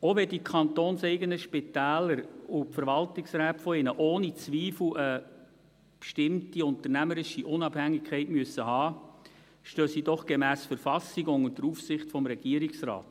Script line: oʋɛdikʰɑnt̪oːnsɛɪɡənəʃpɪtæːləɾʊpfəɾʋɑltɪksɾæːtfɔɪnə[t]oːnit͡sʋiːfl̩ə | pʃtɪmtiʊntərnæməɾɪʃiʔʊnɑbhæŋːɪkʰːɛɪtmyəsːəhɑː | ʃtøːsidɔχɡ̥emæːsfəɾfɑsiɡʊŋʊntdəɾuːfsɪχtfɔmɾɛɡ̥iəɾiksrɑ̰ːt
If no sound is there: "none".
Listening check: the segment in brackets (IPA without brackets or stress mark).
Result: ʔ